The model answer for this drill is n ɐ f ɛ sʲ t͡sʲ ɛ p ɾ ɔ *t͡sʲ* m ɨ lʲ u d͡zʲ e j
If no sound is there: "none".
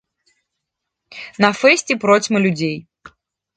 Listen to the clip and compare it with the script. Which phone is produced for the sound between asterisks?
t͡sʲ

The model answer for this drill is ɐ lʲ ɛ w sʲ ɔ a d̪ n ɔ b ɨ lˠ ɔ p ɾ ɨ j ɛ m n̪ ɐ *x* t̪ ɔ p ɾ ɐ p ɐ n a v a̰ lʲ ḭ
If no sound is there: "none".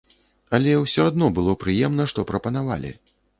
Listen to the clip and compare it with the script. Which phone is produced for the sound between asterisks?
ʂ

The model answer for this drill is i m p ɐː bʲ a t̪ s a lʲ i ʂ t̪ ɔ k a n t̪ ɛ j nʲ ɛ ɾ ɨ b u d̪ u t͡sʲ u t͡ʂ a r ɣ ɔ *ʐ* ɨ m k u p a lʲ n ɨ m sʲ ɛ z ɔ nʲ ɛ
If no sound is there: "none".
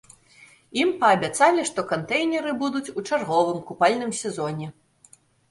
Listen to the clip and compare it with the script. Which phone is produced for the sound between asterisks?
v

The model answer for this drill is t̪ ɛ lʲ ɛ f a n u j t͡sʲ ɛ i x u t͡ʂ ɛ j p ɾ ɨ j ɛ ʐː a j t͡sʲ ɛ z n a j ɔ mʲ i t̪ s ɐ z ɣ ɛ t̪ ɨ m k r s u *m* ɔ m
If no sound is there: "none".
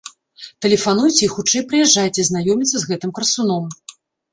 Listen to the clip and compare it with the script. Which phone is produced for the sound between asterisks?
n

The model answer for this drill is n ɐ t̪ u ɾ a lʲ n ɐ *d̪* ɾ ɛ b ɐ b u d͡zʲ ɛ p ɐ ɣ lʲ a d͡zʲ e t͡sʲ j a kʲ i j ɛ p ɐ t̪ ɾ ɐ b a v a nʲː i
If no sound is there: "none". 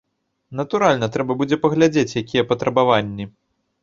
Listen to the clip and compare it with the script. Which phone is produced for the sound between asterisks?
t̪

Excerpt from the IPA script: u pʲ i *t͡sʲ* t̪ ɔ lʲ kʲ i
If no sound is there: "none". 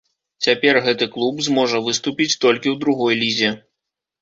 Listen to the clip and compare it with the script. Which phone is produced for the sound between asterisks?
t͡sʲ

